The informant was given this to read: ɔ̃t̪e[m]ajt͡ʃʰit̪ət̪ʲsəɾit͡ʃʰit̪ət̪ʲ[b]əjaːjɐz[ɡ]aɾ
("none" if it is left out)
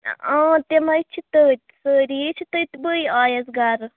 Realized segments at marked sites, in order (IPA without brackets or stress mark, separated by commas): m, b, ɡ